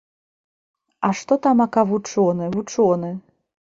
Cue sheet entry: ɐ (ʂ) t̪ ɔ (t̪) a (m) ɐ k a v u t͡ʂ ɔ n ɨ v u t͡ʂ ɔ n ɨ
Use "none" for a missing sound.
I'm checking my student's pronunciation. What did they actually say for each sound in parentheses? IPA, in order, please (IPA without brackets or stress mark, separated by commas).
ʂ, t̪, m